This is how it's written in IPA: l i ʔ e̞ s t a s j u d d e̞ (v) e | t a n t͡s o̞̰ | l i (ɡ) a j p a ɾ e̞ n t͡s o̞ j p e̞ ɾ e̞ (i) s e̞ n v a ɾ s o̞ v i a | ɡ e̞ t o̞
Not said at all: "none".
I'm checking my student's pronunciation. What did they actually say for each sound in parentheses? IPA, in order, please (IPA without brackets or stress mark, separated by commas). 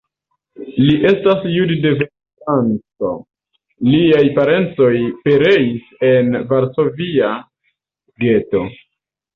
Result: v, none, i